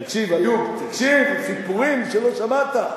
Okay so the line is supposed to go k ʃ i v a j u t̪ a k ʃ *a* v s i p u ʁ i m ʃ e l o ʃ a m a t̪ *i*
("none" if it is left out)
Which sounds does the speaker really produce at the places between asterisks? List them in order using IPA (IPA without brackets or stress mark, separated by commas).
i, a